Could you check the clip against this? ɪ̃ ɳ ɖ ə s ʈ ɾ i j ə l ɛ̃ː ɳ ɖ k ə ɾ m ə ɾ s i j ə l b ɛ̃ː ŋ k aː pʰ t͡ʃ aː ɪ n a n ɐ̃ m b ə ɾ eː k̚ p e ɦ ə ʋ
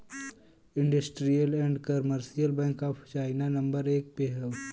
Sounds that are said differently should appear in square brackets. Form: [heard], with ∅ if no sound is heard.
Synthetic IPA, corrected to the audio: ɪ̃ ɳ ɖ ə s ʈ ɾ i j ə l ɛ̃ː ɳ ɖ k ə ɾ m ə ɾ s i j ə l b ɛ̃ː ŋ k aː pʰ t͡ʃ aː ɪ n a n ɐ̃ m b ə ɾ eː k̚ p e ɦ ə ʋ